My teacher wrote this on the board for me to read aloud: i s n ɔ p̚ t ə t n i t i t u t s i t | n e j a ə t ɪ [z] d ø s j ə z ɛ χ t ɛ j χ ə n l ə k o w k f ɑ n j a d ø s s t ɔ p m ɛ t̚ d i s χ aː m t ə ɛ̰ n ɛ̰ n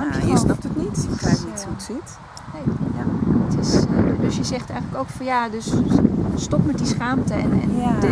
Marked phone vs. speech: incorrect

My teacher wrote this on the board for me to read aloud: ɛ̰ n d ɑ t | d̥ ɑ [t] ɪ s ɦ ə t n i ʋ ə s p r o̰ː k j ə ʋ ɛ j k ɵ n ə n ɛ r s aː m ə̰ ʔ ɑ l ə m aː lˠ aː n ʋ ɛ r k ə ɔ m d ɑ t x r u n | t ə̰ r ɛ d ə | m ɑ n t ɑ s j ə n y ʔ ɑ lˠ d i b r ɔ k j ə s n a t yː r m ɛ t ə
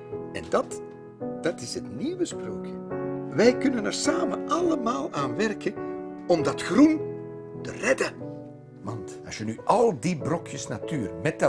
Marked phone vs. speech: correct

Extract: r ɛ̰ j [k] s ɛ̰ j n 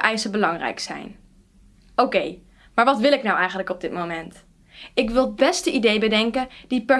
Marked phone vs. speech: correct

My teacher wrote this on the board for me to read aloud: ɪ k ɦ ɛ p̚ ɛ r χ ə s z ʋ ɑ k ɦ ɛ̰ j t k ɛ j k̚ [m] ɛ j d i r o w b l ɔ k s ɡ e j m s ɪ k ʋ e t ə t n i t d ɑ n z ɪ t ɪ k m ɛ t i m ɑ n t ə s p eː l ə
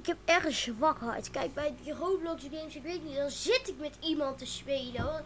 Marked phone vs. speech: incorrect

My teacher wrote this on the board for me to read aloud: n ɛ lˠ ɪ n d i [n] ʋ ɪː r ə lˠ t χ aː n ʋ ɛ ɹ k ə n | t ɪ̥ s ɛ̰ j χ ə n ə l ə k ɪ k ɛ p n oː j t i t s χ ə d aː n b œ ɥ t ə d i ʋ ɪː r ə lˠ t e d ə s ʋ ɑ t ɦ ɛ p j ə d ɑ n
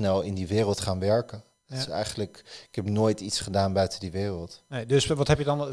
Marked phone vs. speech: incorrect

